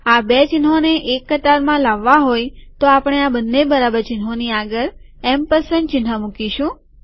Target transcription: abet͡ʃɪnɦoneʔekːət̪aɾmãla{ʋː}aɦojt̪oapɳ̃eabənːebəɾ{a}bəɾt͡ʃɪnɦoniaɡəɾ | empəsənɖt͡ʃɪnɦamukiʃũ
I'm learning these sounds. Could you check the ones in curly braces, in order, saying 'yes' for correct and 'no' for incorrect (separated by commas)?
yes, yes